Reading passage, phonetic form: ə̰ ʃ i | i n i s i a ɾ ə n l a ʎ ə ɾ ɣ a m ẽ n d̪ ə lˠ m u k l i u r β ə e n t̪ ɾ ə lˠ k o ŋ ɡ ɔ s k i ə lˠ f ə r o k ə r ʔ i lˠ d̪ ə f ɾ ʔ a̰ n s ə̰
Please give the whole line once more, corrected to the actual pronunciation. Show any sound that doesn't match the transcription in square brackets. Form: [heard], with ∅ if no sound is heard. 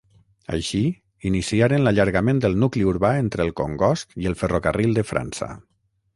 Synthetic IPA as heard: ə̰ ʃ i | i n i s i a ɾ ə n l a ʎ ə ɾ ɣ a m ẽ n d̪ ə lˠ [n] u k l i u [ɾ] β [a] e n t̪ ɾ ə lˠ k o ŋ ɡ ɔ s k i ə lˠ f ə r o k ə r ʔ i lˠ d̪ ə f ɾ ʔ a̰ n s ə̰